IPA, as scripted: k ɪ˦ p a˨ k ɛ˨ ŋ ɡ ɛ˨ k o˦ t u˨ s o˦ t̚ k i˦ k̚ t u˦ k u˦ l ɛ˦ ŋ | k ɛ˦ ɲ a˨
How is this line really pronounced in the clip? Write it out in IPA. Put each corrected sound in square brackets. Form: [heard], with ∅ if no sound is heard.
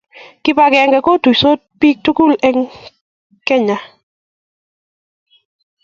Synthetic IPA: k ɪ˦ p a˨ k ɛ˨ ŋ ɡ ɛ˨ k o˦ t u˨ s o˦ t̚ [p] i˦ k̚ t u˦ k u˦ l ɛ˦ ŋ | k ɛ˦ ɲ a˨